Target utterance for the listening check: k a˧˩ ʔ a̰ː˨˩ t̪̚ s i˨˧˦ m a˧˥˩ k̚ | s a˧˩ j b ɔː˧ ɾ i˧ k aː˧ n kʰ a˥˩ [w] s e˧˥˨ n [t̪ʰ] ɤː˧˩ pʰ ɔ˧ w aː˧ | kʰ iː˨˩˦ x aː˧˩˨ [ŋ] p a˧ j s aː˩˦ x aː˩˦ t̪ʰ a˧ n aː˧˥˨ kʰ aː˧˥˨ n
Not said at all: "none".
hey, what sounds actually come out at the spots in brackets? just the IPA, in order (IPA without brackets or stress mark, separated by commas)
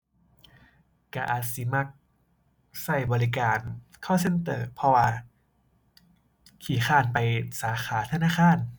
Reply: w, t̪, n